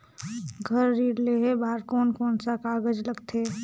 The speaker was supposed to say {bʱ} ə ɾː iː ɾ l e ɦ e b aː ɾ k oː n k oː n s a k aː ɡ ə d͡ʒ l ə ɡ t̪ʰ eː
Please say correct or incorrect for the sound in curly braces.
incorrect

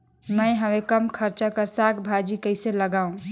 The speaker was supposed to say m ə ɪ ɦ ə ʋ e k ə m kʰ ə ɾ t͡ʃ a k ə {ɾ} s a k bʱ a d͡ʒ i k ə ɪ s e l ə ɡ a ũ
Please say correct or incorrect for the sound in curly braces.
correct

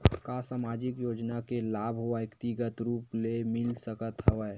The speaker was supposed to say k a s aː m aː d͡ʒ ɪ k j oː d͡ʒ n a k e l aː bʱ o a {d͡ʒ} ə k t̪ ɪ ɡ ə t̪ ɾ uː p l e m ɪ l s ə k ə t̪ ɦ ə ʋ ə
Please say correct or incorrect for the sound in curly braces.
incorrect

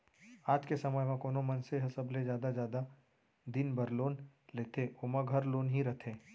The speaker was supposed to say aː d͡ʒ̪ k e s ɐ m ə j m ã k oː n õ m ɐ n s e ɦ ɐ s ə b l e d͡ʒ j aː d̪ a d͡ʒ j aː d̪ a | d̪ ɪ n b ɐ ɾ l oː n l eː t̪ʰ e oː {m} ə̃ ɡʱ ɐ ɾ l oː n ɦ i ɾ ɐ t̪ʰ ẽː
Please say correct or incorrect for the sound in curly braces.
correct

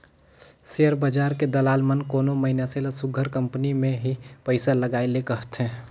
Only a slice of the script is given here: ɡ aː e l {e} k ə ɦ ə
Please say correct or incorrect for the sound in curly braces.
correct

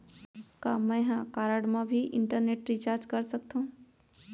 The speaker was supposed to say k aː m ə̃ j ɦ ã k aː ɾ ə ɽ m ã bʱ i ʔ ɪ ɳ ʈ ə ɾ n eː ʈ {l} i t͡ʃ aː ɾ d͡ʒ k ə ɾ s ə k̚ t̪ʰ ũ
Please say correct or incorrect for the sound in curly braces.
incorrect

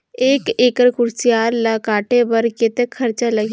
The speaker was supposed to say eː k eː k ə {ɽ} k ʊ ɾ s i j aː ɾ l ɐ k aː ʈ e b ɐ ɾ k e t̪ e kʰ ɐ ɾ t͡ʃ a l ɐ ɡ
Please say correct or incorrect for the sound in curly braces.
incorrect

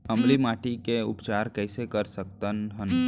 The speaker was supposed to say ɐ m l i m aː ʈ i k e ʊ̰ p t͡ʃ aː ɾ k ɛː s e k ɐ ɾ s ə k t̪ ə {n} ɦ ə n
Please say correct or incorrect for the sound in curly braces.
correct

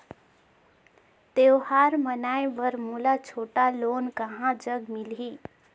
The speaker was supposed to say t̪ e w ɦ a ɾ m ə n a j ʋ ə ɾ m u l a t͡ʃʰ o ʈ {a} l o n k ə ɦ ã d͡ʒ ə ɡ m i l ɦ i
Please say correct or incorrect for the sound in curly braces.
correct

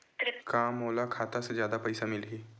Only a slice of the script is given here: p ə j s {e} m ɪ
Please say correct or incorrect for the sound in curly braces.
incorrect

